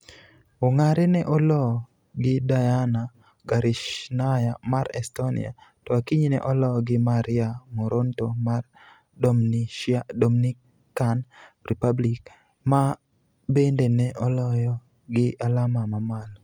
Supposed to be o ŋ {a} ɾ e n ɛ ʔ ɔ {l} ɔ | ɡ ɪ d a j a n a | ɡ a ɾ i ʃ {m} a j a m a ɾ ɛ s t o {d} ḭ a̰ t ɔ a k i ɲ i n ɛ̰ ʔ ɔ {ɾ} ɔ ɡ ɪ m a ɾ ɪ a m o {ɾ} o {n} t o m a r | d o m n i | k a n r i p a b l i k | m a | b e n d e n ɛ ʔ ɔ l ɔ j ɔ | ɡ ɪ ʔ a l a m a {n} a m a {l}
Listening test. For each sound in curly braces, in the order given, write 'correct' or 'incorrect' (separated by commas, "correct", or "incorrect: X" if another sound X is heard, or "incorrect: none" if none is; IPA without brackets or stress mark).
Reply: correct, correct, incorrect: n, incorrect: n, incorrect: l, correct, correct, incorrect: m, correct